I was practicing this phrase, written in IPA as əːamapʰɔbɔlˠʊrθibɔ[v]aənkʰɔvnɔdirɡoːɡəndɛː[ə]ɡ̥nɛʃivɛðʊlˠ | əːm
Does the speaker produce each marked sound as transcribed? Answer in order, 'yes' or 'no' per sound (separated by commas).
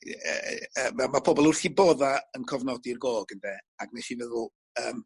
no, no